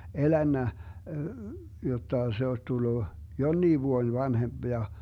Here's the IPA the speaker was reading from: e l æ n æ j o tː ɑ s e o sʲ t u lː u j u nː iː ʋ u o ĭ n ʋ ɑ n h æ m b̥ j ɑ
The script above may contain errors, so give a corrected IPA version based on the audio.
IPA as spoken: e l æ nː æ j o tː ɑ s e o sʲ t u lː u j o nː iː ʋ u o ĭ n ʋ ɑ n h e m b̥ j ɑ